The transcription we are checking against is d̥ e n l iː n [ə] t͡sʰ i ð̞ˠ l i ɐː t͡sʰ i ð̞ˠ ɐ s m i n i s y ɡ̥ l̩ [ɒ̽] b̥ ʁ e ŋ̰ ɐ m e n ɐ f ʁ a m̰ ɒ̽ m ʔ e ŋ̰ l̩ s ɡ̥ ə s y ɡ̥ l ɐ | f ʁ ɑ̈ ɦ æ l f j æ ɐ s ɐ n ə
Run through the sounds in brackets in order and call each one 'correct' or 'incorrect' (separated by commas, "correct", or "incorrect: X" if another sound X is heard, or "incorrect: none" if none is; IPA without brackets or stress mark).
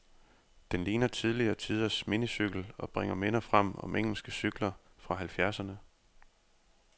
incorrect: ɐ, correct